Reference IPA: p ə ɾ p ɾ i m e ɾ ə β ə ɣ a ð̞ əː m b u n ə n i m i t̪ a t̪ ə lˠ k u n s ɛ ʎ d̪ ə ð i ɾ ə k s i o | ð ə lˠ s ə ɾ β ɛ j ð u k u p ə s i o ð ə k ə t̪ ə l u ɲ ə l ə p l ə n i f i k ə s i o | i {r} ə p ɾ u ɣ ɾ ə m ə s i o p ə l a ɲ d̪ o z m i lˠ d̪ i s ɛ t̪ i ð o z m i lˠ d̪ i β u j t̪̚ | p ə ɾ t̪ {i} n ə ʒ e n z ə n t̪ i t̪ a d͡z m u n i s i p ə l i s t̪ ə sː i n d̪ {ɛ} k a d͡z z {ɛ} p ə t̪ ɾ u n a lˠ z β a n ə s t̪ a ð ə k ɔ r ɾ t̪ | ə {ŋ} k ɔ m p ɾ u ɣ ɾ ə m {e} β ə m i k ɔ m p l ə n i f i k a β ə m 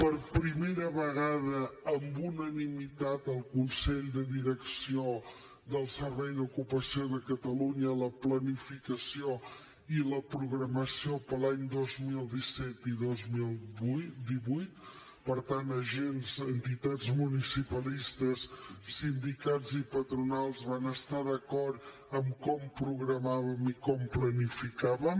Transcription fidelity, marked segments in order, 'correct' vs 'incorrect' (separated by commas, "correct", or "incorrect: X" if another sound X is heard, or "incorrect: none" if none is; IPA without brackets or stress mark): incorrect: l, incorrect: a, incorrect: i, incorrect: i, incorrect: m, incorrect: a